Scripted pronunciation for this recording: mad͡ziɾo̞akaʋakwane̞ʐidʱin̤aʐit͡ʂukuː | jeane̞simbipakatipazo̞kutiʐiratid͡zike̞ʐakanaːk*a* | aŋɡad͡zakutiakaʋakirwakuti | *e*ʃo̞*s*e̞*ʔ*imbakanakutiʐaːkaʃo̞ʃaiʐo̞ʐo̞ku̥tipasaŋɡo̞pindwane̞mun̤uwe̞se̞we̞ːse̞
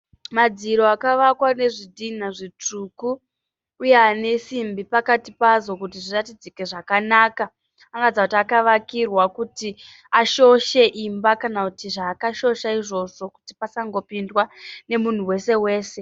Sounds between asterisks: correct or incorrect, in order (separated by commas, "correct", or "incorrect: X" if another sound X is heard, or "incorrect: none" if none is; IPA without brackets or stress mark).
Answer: correct, incorrect: a, incorrect: ʃ, correct